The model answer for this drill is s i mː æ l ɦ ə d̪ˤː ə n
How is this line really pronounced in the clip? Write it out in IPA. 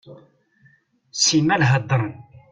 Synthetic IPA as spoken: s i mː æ l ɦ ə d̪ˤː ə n

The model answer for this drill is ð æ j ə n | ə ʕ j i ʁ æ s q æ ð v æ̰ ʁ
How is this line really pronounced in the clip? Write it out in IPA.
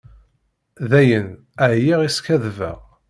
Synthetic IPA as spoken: ð æ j ə n | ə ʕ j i ʁ i s k æ ð v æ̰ ʁ

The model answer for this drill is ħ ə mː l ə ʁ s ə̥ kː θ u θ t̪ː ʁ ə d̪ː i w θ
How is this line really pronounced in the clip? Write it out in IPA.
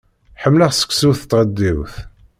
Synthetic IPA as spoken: ħ ə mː l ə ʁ s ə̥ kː s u θ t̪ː ʁ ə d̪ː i w θ

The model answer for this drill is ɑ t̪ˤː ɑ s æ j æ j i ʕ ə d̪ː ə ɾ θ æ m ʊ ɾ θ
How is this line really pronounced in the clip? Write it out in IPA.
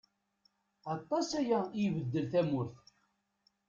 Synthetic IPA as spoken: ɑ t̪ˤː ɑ s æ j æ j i v ə d̪ː ə l θ æ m ʊ ɾ θ

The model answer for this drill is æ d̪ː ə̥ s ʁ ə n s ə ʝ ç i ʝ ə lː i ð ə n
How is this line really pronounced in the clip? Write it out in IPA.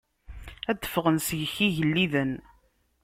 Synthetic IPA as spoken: æ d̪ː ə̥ f ʁ ə n s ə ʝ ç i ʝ ə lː i ð ə n

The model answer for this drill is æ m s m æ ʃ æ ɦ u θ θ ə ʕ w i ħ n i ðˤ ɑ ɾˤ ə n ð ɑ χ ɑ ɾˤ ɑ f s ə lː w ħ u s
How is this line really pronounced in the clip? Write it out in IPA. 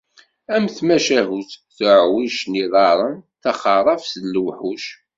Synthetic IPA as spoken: æ m θ m æ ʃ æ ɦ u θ θ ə ʕ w i ʃ n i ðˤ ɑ ɾˤ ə n θ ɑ χ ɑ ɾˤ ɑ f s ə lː w ħ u ʃ

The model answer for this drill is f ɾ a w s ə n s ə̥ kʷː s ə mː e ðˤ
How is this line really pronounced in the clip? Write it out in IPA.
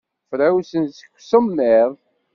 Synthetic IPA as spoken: f ɾ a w s ə n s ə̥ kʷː s ə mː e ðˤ

